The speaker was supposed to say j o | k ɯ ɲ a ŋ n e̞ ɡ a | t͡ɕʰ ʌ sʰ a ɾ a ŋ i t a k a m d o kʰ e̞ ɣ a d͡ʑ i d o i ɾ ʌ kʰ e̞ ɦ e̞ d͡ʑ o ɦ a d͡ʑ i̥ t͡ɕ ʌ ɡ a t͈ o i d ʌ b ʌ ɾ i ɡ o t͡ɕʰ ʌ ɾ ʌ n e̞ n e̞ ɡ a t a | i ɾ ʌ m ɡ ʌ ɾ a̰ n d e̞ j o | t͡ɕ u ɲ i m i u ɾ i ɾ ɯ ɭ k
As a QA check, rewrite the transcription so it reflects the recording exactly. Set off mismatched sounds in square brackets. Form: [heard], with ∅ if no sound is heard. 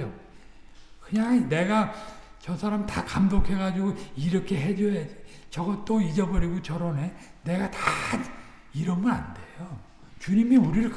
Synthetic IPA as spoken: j o | k ɯ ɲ a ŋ n e̞ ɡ a | [t͡ɕ] ʌ sʰ a ɾ a [m] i t a k a m d o kʰ e̞ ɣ a d͡ʑ i [ɡ] o i ɾ ʌ kʰ e̞ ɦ e̞ d͡ʑ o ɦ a d͡ʑ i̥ t͡ɕ ʌ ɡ [ʌ] t͈ o i [d͡ʑ] ʌ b ʌ ɾ i ɡ o [t͡ɕ] ʌ ɾ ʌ n e̞ n e̞ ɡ a t a | i ɾ ʌ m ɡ ʌ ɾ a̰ n d e̞ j o | t͡ɕ u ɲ i m i u ɾ i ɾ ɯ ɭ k